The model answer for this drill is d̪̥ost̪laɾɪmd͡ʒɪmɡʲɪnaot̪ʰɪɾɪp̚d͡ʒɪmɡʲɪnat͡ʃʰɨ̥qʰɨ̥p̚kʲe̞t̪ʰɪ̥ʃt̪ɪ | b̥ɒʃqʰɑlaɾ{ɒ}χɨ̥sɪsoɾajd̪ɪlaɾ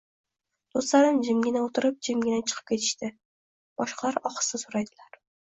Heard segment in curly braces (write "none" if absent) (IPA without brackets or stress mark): ɒ